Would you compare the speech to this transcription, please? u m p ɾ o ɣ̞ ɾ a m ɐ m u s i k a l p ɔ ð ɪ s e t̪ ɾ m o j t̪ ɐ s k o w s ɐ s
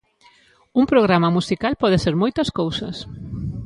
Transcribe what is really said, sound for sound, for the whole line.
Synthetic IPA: u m p ɾ o ɣ̞ ɾ a m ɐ m u s i k a l p ɔ ð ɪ s e ɾ m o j t̪ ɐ s k o w s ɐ s